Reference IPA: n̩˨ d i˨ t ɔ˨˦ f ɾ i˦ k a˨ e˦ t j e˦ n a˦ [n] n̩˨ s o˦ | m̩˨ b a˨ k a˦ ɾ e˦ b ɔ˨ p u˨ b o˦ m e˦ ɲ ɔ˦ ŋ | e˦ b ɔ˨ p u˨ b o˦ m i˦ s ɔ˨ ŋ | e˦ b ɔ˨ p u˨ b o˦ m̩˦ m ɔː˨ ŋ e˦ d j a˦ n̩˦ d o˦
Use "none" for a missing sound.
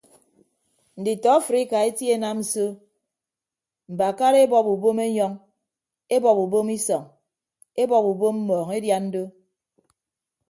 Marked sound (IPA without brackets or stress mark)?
m